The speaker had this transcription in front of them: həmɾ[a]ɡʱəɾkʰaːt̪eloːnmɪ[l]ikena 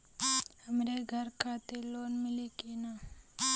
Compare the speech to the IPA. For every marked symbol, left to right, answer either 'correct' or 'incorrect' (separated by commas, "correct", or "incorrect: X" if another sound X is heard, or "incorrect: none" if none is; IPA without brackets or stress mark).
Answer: incorrect: e, correct